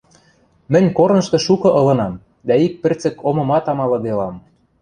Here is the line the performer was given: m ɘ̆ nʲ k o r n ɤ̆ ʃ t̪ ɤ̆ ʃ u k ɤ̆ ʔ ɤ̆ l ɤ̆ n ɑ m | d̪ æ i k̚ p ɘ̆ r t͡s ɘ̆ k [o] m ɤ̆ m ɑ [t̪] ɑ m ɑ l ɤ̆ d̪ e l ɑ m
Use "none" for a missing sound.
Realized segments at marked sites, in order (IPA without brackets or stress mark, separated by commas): o, t̪